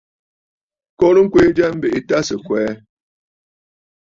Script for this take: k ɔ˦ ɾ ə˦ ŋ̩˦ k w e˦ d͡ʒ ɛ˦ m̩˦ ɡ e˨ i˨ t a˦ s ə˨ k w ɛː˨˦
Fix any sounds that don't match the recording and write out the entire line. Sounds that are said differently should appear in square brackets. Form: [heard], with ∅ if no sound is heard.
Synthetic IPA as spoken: k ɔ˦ ɾ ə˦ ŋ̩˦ k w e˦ d͡ʒ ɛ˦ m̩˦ [b] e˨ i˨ t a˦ s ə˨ k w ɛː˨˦

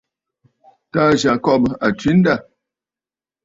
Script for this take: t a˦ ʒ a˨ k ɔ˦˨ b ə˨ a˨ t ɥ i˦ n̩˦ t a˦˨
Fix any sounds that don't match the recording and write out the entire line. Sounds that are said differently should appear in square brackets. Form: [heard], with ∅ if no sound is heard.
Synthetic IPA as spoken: t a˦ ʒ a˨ k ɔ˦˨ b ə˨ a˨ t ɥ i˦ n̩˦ [d] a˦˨

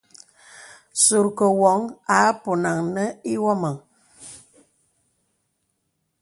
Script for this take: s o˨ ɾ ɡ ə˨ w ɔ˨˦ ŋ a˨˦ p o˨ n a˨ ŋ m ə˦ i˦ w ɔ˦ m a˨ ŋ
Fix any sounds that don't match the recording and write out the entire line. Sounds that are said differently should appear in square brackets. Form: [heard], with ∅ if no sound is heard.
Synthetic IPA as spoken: s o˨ ɾ [k] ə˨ w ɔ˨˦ ŋ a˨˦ p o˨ n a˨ ŋ [n] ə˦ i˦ w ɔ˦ m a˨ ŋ

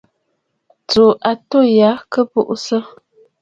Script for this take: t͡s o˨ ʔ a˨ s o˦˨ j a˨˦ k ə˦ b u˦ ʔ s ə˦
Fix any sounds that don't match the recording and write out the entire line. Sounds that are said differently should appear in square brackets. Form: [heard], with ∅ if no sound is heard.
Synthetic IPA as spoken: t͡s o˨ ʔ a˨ [t] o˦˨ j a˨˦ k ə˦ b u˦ ʔ s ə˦

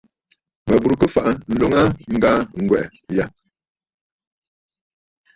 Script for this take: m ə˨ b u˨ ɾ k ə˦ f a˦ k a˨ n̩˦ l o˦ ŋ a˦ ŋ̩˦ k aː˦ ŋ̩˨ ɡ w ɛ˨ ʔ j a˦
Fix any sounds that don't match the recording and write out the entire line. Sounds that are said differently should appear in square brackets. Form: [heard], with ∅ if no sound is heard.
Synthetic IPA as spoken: m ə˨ b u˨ ɾ k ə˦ f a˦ [ʔ] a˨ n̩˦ l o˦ ŋ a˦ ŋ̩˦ [ɡ] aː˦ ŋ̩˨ ɡ w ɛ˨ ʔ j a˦

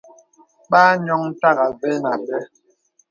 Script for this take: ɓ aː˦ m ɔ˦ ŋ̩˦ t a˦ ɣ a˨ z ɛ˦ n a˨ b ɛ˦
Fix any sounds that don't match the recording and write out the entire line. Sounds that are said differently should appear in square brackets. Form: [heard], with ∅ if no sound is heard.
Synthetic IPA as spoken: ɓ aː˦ [ɲ] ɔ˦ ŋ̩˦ t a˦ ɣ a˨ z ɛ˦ n a˨ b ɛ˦

